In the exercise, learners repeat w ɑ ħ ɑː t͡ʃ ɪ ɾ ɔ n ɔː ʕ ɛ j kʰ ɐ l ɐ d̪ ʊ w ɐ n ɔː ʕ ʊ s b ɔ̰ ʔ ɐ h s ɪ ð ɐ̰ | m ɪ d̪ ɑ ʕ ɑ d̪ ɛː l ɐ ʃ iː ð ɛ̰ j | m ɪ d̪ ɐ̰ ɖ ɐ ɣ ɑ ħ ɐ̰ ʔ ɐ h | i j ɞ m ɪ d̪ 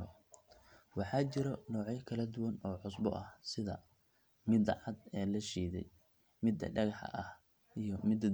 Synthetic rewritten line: w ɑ ħ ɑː t͡ʃ ɪ ɾ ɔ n ɔː ʕ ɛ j kʰ ɐ l ɐ d̪ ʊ w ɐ n ɔː ʕ ʊ s b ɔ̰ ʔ ɐ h s ɪ ð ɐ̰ | m ɪ d̪ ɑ ʕ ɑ d̪ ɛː l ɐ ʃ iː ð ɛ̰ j | m ɪ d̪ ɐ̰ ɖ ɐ ɣ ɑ ħ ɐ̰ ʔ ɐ h | i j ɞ m ɪ d̪